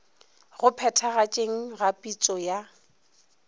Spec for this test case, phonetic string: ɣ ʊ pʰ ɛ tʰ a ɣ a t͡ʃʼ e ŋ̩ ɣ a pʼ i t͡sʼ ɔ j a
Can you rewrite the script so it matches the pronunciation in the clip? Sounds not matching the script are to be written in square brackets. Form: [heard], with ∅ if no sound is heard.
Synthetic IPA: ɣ ʊ pʰ ɛ tʰ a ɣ a t͡ʃʼ e ŋ̩ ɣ a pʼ i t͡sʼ ɔ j a